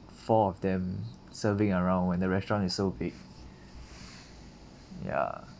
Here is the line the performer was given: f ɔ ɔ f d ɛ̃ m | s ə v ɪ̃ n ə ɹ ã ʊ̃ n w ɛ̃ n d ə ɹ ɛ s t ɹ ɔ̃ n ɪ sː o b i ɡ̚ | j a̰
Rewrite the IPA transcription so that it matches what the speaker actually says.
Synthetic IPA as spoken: f ɔ ɔ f d ɛ̃ m | s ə v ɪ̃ ŋ ə ɹ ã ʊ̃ n w ɛ̃ n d ə ɹ ɛ s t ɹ ɔ̃ n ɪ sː o b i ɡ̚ | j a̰